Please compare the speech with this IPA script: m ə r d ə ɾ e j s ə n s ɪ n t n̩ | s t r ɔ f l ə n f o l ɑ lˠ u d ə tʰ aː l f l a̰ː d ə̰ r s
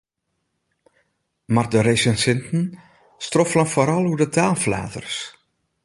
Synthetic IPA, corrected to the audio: m a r d ə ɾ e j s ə n s ɪ n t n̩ | s t r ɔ f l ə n f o ɾ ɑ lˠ u d ə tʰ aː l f l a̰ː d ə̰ r s